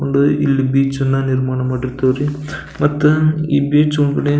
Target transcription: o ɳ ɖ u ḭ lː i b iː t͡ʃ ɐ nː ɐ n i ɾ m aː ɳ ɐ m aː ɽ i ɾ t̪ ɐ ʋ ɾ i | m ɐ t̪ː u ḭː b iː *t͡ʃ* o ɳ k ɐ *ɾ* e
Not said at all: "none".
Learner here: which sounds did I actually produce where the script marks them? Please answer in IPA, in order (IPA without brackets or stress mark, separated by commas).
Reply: t͡ʃ, ɽ